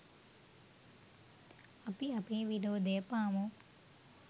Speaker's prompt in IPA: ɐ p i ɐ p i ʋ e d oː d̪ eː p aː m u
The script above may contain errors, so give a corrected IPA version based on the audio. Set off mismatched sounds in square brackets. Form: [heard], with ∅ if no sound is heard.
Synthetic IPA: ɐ p i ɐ p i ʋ [i] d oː d̪ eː p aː m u